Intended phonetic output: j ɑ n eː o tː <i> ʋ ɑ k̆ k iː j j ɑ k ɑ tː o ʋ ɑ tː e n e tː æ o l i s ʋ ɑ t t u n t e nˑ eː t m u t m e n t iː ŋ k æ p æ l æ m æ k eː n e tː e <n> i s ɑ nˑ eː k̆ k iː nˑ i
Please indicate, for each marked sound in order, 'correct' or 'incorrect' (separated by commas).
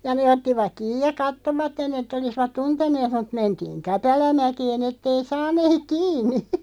correct, incorrect